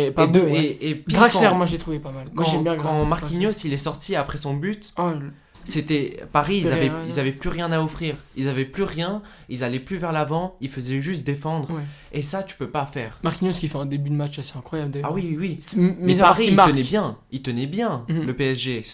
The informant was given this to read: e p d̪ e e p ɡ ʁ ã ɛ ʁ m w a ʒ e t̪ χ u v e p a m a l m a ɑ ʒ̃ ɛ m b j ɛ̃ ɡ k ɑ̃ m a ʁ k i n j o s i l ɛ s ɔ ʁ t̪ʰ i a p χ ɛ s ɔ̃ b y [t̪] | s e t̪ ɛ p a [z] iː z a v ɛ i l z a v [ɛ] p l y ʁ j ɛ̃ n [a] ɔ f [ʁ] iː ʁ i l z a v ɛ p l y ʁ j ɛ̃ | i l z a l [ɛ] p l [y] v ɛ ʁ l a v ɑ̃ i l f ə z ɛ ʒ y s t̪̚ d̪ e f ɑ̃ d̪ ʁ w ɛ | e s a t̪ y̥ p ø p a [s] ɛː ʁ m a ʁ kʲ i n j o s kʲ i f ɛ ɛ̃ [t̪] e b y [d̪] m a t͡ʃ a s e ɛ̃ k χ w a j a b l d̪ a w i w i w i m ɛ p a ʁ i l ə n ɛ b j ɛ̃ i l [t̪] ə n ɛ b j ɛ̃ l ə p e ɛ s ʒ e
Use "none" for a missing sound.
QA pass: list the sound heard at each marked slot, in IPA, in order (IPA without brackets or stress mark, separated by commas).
t̪, ʁ, ɛ, a, χ, ɛ, y, f, d̪, d̪, t̪